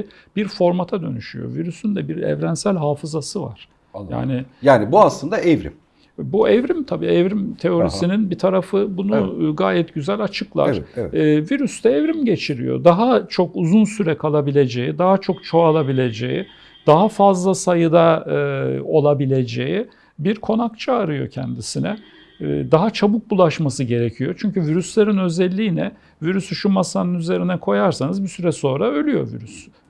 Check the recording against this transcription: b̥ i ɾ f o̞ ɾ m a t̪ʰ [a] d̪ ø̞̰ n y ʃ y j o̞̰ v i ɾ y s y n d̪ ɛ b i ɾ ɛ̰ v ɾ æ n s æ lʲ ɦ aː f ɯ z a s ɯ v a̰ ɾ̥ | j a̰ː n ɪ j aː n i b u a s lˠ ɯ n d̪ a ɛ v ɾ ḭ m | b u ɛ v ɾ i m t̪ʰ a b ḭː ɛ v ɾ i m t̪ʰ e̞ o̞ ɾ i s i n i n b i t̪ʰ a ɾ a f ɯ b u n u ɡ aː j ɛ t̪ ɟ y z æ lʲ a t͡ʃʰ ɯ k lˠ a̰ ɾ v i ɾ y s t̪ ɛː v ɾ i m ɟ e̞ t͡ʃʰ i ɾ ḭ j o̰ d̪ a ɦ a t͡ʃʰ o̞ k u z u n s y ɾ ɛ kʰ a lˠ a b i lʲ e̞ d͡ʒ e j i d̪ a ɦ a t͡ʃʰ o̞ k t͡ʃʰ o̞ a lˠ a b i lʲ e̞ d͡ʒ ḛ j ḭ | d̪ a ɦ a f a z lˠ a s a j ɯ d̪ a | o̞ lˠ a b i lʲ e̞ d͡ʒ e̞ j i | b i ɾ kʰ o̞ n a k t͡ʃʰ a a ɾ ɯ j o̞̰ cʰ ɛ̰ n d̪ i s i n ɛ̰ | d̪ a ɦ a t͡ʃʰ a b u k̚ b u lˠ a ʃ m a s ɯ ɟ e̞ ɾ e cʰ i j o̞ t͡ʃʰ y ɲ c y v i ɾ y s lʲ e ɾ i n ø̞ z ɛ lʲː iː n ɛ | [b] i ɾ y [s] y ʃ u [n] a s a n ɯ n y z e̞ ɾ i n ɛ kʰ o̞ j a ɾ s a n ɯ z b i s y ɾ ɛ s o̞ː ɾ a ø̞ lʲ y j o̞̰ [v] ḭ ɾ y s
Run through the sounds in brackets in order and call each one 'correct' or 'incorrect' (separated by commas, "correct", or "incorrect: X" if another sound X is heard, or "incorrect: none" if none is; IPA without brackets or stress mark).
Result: correct, incorrect: v, correct, incorrect: m, correct